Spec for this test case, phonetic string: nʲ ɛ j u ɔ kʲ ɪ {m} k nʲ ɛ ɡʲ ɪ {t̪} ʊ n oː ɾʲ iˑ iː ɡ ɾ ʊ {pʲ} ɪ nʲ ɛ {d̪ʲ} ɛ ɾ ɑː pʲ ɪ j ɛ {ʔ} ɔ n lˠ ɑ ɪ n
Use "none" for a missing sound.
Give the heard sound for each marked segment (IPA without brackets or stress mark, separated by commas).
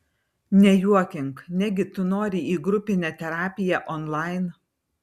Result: ŋ, t̪, pʲ, t̪ʲ, ʔ